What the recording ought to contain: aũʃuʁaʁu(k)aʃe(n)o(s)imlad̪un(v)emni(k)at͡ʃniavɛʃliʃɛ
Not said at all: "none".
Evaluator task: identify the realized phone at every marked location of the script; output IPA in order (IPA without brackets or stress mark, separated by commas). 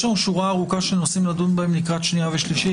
k, n, s, b, k